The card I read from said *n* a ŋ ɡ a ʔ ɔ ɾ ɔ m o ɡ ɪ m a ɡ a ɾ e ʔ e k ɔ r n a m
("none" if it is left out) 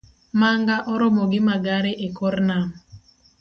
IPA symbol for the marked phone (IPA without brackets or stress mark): m